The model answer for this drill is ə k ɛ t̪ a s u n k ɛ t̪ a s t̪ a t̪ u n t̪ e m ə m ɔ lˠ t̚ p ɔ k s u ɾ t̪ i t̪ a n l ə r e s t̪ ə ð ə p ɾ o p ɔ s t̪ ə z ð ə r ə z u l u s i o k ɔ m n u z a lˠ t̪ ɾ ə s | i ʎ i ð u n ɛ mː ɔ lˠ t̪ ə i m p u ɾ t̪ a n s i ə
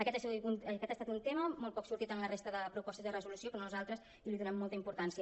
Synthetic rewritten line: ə k ɛ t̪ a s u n k ɛ t̪ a s t̪ a t̪ u n t̪ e m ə m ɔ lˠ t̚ p ɔ k s u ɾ t̪ i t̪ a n l ə r e s t̪ ə ð ə p ɾ u p ɔ s t̪ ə z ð ə r ə z u l u s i o k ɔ m n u z a lˠ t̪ ɾ ə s | i l i ð u n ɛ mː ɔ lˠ t̪ ə i m p u ɾ t̪ a n s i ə